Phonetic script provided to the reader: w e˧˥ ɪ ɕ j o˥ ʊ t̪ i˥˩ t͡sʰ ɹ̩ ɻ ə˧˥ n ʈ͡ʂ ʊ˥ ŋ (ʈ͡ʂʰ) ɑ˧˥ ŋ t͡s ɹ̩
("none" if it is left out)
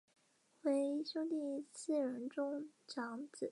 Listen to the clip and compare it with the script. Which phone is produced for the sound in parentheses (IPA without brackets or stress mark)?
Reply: ʈ͡ʂ